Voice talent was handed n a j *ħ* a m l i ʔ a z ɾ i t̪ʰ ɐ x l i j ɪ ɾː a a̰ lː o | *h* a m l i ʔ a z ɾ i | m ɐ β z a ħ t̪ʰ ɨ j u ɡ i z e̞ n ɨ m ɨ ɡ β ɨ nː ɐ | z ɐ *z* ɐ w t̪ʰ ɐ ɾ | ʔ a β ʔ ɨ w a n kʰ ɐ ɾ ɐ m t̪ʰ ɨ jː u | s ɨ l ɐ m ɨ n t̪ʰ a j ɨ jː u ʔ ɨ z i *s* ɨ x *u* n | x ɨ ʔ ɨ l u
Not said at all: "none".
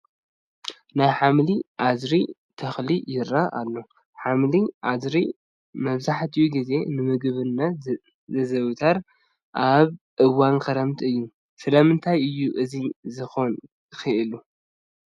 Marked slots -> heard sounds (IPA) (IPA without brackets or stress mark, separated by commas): ħ, ħ, z, z, o